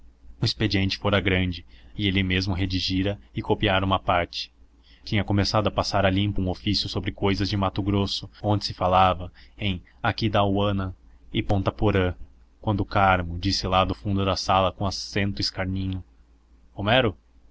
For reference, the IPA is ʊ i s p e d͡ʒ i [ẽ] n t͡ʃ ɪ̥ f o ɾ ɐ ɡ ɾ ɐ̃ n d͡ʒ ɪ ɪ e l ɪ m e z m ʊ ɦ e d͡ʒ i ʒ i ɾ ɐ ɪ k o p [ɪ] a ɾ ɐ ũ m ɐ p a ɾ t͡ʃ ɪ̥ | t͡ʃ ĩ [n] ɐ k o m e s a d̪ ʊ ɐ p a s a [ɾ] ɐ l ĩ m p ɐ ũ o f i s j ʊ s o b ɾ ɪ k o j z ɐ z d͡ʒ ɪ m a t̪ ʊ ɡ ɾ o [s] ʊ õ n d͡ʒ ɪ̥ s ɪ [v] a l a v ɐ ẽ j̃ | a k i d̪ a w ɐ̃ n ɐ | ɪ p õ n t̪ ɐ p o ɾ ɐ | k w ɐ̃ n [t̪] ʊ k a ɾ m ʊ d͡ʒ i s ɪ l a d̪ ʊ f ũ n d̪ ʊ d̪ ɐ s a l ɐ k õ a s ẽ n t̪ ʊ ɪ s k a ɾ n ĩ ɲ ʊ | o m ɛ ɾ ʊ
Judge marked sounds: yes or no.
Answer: yes, no, no, yes, yes, no, no

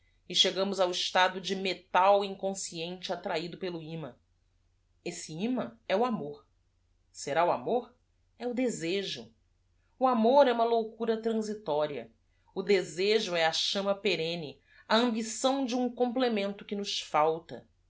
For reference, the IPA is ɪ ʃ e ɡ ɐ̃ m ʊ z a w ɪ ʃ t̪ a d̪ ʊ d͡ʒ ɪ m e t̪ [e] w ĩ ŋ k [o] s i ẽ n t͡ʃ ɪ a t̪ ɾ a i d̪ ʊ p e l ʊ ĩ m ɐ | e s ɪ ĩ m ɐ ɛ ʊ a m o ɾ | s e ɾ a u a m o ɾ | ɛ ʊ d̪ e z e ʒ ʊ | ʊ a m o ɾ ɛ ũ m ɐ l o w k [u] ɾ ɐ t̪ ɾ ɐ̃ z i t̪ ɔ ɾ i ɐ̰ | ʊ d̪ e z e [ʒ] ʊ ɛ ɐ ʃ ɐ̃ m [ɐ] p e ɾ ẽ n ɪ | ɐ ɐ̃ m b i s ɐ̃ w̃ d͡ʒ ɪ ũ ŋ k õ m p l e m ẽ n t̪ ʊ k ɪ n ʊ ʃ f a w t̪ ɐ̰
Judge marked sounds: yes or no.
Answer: no, no, yes, yes, yes

